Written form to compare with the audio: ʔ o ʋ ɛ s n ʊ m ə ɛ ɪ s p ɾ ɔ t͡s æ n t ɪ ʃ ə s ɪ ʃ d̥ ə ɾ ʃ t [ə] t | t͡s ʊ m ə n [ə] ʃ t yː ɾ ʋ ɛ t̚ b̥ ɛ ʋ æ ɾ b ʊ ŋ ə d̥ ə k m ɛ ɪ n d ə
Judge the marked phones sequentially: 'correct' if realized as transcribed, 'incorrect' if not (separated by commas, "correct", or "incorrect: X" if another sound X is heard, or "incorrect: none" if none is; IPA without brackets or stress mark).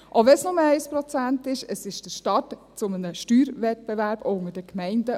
incorrect: ɑ, correct